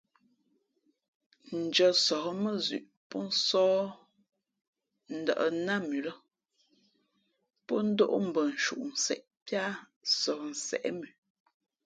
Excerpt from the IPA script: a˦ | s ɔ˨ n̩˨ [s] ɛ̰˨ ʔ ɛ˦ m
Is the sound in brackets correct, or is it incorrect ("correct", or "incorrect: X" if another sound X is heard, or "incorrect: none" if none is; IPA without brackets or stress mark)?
correct